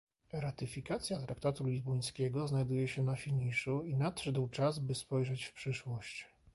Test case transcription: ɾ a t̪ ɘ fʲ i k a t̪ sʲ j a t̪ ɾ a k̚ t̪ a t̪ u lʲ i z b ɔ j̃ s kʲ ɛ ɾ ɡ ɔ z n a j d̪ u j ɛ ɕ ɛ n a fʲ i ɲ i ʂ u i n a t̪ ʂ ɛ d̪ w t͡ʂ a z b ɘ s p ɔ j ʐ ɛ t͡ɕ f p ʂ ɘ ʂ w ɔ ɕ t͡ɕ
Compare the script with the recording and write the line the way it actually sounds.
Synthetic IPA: ɾ a t̪ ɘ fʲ i k a t̪ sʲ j a t̪ ɾ a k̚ t̪ a t̪ u lʲ i z b ɔ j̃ s kʲ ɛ ɡ ɔ z n a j d̪ u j ɛ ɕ ɛ n a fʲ i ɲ i ʂ u i n a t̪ ʂ ɛ d̪ w t͡ʂ a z b ɘ s p ɔ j ʐ ɛ t͡ɕ f p ʂ ɘ ʂ w ɔ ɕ t͡ɕ